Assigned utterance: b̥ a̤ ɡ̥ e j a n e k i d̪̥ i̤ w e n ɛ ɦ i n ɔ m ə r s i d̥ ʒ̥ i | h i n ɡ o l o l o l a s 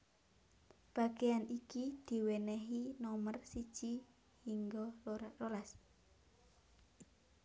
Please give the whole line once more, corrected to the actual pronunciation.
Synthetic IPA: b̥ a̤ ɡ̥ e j a n i k i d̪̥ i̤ w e n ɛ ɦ i n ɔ m ə r s i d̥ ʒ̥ i | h i ŋ ɡ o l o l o l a s